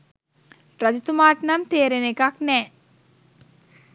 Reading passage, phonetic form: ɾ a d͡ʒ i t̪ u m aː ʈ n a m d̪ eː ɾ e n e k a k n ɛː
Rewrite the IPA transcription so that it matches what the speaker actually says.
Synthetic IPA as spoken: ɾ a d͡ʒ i t̪ u m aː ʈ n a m t̪ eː ɾ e n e k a k n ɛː

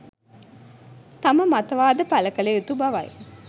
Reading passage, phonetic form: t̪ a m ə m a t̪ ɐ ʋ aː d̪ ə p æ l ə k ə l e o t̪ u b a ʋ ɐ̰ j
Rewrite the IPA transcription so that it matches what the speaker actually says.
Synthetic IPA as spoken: t̪ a m ə m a t̪ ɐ ʋ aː d̪ ə p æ l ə k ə l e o t̪ u b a ʋ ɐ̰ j

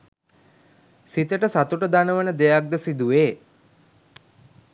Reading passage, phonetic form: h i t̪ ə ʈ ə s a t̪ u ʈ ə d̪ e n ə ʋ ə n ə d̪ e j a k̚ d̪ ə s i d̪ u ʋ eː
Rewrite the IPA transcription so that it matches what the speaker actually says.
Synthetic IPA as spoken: s i t̪ ə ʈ ə s a t̪ u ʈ ə d̪ a n ə ʋ ə n ə d̪ e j a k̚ d̪ ə s i d̪ u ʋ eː

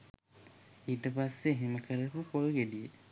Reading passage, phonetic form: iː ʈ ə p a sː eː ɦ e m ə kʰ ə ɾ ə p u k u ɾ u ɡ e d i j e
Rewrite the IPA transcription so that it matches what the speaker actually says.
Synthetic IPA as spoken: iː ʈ ə p a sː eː ɦ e m ə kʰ ə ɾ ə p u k o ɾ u ɡ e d i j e

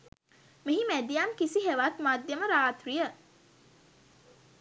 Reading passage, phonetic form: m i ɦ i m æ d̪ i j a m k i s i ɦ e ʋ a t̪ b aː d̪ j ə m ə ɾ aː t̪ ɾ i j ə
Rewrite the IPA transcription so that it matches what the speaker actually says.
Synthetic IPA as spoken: m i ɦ i m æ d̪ i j a m k i s i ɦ e ʋ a t̪ m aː d̪ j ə m ə ɾ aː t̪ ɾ i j ə

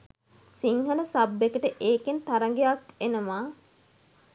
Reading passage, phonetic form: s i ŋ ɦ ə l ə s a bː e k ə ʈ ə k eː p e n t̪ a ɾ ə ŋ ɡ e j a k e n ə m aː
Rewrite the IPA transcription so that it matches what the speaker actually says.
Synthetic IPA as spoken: s i ŋ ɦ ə l ə s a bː e k ə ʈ ə ʔ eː k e n t̪ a ɾ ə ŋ ɡ e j a k e n ə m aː

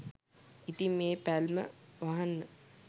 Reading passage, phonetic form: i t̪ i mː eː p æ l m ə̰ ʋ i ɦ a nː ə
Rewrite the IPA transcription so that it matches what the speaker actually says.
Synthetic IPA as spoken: i t̪ i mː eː p æ l m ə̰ ʋ a ɦ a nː ə

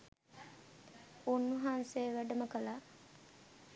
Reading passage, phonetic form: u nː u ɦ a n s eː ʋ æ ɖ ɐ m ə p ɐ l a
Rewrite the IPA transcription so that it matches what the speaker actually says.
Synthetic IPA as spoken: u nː u ɦ a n s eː ʋ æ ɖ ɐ m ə k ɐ l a

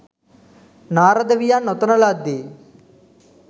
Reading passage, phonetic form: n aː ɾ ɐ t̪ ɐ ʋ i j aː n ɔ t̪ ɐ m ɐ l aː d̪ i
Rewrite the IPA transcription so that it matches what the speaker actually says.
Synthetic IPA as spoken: n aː ɾ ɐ d̪ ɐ ʋ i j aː n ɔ t̪ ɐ n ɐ l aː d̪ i

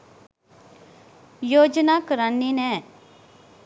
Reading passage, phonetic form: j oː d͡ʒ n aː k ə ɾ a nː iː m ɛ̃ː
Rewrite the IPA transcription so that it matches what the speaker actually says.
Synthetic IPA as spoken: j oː d͡ʒ n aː k ə ɾ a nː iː n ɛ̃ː

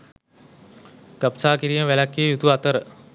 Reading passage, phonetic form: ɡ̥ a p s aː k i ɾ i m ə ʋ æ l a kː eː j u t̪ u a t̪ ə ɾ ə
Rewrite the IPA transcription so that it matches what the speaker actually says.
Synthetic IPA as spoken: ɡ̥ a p s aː k i ɾ i m ə ʋ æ l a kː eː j u t̪ u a t̪ ə ɾ ə

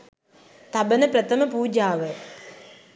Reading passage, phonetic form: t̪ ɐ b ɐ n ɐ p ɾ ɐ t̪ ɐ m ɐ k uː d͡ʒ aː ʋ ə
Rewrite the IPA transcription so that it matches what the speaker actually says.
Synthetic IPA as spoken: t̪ ɐ b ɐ n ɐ p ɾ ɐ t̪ ɐ m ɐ p uː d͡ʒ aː ʋ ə

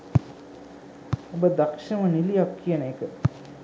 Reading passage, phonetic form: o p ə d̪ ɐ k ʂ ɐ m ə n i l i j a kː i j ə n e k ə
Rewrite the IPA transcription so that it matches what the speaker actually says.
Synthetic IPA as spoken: o b ə d̪ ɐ k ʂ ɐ m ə n i l i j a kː i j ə n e k ə

